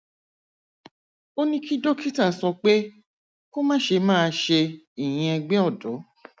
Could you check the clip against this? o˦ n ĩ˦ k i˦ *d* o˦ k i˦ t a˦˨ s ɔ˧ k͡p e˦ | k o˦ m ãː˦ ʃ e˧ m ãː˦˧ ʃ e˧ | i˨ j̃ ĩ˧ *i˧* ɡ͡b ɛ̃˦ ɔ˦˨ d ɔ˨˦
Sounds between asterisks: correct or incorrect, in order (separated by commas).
correct, incorrect